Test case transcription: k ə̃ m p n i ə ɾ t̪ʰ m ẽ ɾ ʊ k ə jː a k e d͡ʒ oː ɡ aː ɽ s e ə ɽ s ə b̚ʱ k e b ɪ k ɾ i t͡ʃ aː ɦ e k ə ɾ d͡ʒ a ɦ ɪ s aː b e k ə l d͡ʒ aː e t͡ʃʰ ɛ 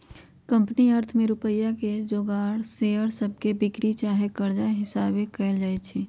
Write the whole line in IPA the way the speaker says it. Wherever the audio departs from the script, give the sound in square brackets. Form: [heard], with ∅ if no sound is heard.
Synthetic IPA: k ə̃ m p n i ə ɾ t̪ʰ m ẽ ɾ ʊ [p] ə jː a k e d͡ʒ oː ɡ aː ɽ s e ə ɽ s ə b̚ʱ k e b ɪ k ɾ i t͡ʃ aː ɦ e k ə ɾ d͡ʒ a ɦ ɪ s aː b e k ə l d͡ʒ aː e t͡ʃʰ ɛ